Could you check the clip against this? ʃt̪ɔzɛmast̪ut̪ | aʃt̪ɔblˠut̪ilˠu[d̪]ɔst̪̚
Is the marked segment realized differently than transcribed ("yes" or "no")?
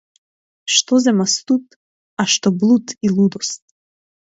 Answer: no